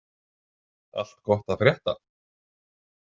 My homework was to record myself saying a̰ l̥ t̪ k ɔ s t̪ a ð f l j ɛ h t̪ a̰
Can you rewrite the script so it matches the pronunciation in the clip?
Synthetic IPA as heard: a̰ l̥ t̪ k ɔ h t̪ a ð f ɾ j ɛ h t̪ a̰